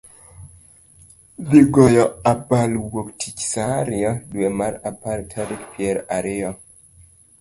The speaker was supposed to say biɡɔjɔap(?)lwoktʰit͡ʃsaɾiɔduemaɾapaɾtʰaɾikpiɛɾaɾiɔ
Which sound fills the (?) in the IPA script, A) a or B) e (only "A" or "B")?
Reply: A